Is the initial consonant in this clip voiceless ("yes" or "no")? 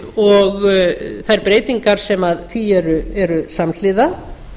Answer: no